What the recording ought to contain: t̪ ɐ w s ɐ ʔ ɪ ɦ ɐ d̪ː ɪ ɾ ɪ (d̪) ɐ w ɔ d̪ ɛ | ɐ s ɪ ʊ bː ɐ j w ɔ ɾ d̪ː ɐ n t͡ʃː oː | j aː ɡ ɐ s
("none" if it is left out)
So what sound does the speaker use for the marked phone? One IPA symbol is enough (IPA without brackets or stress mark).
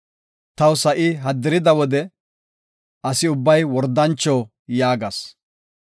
d̪